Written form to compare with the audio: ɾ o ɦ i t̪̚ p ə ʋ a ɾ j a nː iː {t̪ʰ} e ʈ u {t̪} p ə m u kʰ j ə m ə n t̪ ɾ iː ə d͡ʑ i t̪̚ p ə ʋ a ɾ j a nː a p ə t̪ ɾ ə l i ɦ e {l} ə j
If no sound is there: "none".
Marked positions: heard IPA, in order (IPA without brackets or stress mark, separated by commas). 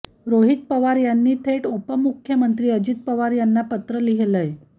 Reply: t̪ʰ, none, l